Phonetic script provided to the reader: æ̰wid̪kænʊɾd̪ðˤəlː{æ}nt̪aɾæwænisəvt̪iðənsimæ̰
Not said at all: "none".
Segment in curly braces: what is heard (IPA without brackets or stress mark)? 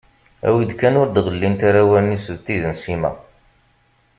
i